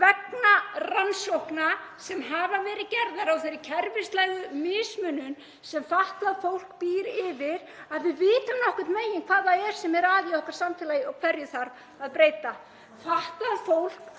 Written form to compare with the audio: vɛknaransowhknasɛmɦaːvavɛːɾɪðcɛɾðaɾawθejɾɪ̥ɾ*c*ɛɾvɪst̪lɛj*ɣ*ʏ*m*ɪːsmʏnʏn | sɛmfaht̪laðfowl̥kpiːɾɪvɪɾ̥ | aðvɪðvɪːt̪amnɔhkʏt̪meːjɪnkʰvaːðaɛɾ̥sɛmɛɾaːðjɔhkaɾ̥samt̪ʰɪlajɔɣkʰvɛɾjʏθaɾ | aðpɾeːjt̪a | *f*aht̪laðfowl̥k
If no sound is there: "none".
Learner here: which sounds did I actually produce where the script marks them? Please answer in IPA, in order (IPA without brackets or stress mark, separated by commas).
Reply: cʰ, ɣ, m, f